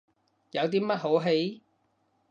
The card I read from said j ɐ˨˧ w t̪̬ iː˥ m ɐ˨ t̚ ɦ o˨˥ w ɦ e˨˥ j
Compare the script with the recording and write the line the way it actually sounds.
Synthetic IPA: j ɐ˨˧ w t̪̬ iː˥ m ɐ˥ t̚ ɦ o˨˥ w ɦ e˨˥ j